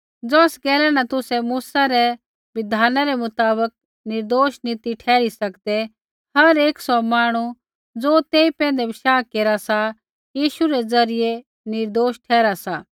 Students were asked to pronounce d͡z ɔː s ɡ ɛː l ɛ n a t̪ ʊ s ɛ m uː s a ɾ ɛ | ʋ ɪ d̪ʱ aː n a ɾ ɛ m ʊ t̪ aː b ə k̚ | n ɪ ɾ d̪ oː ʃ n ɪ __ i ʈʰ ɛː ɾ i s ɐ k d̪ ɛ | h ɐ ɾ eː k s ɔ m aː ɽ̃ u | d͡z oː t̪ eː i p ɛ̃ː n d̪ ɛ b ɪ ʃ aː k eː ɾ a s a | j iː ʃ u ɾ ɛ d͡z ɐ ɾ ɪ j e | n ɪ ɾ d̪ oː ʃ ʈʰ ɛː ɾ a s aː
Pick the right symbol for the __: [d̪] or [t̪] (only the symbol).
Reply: t̪